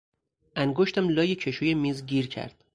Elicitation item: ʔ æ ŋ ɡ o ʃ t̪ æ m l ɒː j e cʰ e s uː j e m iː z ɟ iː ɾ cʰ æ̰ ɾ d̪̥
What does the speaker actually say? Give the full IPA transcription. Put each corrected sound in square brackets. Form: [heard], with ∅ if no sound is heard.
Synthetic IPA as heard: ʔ æ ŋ ɡ o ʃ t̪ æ m l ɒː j e cʰ e [ʃ] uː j e m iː z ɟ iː ɾ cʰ æ̰ ɾ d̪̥